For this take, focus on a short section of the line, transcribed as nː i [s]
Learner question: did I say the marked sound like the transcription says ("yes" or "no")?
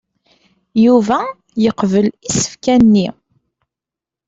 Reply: no